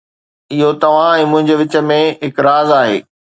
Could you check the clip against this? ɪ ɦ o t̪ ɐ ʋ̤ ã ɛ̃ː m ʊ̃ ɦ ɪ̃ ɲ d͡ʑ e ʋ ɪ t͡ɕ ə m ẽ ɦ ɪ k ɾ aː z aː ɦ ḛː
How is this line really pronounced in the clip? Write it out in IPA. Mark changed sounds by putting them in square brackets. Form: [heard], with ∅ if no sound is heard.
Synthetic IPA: ɪ ɦ o t̪ ɐ ʋ̤ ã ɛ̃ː m ʊ̃ ɦ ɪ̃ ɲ d͡ʑ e ʋ ɪ t͡ɕ ə m ẽ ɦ ɪ k ɾ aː z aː ɦ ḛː